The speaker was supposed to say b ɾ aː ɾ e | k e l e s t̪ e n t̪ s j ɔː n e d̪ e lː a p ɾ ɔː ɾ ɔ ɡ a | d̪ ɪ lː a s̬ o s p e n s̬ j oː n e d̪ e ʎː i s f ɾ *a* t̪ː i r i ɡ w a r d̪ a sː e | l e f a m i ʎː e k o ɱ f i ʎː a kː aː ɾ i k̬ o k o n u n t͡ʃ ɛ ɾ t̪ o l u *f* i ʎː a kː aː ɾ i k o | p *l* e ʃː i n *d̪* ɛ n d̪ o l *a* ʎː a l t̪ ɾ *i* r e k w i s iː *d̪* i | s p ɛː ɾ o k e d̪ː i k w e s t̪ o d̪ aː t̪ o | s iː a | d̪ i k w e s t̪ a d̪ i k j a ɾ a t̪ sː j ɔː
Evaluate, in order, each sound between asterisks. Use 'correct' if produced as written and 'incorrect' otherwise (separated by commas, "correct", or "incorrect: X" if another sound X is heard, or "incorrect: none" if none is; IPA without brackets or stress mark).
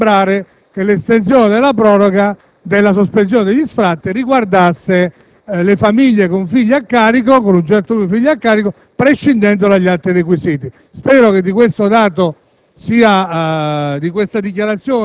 correct, correct, incorrect: ɾ, correct, correct, correct, incorrect: t̪